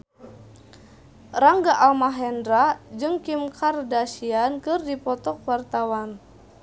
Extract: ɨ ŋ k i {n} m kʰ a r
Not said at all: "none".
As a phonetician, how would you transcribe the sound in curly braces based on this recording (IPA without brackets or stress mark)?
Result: none